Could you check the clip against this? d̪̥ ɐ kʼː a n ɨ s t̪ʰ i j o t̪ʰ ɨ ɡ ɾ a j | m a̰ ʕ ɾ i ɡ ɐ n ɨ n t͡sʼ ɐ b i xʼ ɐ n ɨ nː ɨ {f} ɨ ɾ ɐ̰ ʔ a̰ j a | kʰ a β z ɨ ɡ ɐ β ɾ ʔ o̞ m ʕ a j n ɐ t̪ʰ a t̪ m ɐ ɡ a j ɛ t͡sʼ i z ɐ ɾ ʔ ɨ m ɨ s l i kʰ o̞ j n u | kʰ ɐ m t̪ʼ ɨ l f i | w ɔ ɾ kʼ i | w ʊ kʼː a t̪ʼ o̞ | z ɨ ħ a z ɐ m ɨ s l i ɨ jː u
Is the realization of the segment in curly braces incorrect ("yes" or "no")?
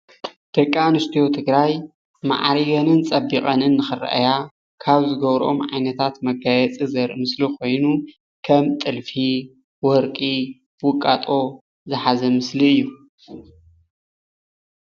yes